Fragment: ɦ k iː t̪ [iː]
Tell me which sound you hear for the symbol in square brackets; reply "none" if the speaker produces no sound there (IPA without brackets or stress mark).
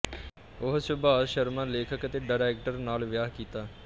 aː